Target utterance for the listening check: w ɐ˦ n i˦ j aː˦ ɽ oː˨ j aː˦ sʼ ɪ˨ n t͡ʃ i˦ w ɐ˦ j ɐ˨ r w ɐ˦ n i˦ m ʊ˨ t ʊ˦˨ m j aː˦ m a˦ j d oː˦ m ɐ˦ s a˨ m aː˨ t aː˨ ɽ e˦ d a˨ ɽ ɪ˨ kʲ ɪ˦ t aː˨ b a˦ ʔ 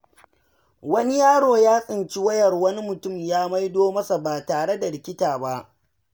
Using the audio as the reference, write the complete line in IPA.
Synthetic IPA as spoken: w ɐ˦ n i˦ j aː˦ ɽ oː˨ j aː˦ sʼ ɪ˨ n t͡ʃ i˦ w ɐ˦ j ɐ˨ r w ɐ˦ n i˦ m ʊ˨ t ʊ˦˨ m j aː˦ m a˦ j d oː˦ m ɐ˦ s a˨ b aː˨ t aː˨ ɽ e˦ d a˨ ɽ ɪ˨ kʲ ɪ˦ t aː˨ b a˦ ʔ

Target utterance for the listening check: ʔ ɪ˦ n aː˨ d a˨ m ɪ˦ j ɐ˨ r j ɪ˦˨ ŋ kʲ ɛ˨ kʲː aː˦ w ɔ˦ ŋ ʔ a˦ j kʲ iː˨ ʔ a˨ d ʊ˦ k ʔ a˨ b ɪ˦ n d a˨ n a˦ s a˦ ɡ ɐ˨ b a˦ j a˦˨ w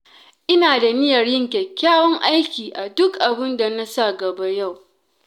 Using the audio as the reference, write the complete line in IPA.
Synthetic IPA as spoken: ʔ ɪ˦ n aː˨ d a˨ n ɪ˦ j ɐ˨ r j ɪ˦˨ ŋ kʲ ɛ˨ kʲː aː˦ w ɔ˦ ŋ ʔ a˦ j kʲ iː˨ ʔ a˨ d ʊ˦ k ʔ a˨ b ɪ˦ n d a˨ n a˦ s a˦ ɡ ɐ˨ b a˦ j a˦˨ w

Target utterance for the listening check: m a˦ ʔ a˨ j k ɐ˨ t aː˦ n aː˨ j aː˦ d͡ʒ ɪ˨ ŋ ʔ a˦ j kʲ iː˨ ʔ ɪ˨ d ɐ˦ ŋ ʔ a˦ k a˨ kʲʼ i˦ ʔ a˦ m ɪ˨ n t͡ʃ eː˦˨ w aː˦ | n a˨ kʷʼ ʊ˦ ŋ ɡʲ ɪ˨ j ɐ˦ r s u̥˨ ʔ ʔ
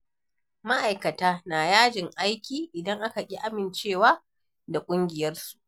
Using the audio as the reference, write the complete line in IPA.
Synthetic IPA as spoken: m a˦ ʔ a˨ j k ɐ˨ t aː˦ n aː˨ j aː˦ d͡ʒ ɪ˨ ŋ ʔ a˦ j kʲ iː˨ ʔ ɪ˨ d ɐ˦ ŋ ʔ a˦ k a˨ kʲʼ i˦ ʔ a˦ m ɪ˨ n t͡ʃ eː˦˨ w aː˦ | d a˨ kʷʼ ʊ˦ ŋ ɡʲ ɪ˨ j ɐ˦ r s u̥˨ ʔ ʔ

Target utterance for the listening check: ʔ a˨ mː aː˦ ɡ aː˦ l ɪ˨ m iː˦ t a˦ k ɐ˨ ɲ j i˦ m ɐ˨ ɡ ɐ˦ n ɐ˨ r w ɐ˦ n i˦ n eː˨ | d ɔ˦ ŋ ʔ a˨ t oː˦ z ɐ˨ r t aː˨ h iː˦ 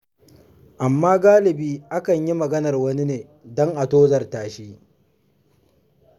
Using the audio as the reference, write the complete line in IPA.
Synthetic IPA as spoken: ʔ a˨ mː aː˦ ɡ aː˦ l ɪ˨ b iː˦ ʔ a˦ k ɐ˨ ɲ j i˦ m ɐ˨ ɡ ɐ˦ n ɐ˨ r w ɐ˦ n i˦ n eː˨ | d ɔ˦ ŋ ʔ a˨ t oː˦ z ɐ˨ r t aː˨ ʃ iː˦

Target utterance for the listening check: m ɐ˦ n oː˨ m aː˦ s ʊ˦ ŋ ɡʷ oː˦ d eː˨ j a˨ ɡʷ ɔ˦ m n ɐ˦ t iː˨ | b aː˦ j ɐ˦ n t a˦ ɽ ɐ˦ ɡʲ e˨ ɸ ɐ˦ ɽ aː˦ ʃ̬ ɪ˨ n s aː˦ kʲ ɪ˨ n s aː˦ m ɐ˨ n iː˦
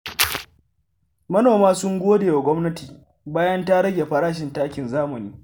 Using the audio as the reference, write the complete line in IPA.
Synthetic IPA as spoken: m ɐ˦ n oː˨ m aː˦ s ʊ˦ ŋ ɡʷ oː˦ d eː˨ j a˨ ɡʷ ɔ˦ m n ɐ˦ t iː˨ | b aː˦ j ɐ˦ n t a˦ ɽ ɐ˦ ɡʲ e˨ ɸ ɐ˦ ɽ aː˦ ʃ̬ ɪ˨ n t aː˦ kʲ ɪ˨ n z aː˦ m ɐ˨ n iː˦

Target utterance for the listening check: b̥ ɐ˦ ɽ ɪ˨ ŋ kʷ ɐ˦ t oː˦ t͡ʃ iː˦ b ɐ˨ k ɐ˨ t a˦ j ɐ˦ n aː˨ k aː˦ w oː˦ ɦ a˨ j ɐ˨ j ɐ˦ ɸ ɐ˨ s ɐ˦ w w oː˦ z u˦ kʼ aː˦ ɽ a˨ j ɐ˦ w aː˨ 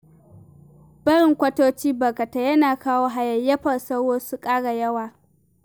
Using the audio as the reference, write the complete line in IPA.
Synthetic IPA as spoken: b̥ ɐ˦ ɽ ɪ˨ ŋ kʷ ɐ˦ t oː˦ t͡ʃ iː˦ b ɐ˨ k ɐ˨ t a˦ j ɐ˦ n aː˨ k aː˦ w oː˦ ɦ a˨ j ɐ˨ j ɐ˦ ɸ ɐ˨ s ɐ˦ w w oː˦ s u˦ kʼ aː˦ ɽ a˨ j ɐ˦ w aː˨

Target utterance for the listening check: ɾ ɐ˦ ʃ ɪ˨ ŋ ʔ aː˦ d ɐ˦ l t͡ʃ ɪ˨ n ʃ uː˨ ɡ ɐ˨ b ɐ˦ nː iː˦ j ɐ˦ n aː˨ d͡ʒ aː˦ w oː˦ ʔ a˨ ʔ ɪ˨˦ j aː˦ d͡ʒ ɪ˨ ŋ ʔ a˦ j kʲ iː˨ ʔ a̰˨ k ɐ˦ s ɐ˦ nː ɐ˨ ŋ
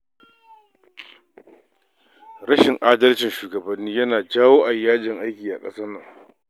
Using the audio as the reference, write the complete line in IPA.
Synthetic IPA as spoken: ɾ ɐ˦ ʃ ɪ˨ ŋ ʔ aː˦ d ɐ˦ l t͡ʃ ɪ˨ n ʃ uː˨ ɡ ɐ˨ b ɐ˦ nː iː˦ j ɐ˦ n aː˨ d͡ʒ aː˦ w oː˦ ʔ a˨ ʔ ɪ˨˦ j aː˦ d͡ʒ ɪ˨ ŋ ʔ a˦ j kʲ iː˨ ʔ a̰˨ kʼ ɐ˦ s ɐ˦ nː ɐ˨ ŋ

